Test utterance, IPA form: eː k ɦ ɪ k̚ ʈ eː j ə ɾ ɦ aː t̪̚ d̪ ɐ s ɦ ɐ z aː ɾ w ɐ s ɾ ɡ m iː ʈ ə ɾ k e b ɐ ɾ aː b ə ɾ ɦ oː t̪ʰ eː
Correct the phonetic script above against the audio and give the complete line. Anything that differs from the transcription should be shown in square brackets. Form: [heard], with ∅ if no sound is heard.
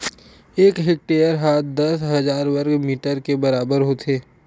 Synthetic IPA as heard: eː k ɦ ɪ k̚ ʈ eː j ə ɾ ɦ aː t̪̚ d̪ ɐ s ɦ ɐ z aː ɾ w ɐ [∅] ɾ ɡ m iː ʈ ə ɾ k e b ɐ ɾ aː b ə ɾ ɦ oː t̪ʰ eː